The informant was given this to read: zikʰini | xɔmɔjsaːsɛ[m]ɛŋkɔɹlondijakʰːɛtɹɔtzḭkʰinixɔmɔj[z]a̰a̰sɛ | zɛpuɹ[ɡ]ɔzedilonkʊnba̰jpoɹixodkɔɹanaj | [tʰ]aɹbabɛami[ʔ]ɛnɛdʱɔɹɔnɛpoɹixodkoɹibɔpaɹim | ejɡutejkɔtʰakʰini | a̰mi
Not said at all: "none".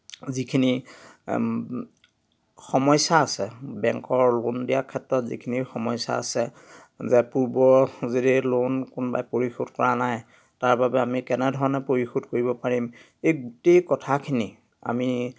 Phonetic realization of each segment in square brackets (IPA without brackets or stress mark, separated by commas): b, s, b, t, k